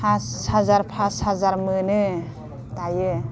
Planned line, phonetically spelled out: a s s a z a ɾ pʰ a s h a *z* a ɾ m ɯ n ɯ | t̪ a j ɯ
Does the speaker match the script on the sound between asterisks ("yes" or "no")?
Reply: yes